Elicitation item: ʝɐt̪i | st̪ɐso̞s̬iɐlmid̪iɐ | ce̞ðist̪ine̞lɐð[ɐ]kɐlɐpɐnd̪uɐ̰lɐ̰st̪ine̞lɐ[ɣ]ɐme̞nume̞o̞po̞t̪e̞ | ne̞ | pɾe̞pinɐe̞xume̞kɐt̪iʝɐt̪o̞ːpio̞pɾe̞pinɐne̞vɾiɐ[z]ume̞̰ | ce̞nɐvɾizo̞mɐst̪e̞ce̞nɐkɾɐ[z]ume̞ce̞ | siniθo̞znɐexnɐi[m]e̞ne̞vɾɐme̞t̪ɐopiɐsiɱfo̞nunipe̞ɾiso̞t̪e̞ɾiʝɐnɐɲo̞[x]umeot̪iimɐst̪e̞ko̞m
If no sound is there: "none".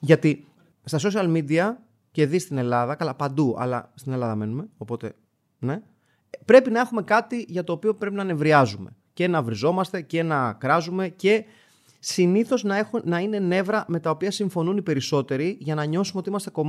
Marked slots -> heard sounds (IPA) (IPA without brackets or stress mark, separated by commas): ɐ, ð, z, z, n, s